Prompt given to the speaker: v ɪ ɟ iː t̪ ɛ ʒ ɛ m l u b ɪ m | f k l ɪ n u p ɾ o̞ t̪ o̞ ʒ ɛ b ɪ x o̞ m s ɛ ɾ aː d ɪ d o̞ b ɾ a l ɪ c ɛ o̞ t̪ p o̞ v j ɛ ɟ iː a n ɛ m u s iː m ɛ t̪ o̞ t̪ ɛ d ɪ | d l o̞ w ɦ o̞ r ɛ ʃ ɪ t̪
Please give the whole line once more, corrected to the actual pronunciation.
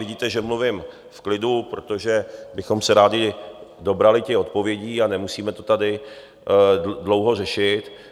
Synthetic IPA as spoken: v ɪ ɟ iː t̪ ɛ ʒ ɛ m l u v ɪ m | f k l ɪ d u p ɾ o̞ t̪ o̞ ʒ ɛ b ɪ x o̞ m s ɛ ɾ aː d ɪ d o̞ b ɾ a l ɪ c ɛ o̞ t̪ p o̞ v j ɛ ɟ iː a n ɛ m u s iː m ɛ t̪ o̞ t̪ a d ɪ | d l o̞ w ɦ o̞ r ɛ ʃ ɪ t̪